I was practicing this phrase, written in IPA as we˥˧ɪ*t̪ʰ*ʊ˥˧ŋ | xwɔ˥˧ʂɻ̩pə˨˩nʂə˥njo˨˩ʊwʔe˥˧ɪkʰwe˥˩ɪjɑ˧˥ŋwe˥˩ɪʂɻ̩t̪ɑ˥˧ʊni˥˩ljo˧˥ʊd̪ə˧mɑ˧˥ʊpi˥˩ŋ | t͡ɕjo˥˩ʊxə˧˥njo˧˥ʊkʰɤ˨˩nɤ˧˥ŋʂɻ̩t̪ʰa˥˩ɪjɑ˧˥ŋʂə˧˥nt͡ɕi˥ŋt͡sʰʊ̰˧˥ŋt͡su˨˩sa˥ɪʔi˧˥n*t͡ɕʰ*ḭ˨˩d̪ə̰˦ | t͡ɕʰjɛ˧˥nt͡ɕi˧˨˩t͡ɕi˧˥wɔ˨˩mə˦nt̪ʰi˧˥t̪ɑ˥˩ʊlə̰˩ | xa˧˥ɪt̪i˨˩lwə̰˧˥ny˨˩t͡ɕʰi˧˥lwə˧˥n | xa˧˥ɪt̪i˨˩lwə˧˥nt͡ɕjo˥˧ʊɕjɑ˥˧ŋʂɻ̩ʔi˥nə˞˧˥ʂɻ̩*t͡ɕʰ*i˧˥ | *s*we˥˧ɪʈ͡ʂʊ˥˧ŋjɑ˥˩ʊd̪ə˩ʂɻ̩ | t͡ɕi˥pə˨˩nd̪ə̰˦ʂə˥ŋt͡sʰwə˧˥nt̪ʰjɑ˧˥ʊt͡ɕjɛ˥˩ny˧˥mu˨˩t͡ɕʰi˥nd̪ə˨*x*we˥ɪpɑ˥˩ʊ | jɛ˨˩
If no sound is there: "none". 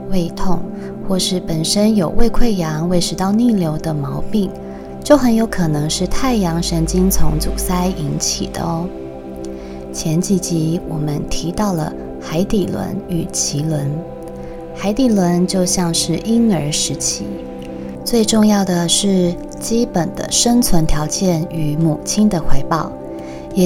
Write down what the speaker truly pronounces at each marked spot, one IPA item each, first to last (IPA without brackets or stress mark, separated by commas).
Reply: t̪ʰ, t͡ɕʰ, t͡ɕʰ, t͡s, x